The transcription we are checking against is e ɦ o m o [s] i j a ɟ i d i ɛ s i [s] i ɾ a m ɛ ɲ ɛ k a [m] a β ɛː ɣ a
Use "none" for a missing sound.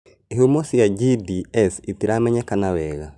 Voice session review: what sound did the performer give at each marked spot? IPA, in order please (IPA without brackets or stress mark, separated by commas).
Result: s, t, n